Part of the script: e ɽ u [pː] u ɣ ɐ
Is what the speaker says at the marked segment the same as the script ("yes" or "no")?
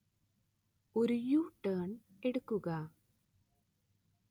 no